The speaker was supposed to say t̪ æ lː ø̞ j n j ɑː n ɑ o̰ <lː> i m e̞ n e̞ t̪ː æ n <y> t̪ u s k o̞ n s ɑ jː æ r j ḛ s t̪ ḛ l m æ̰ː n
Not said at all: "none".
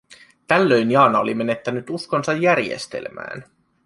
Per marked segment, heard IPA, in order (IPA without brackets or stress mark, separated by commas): l, y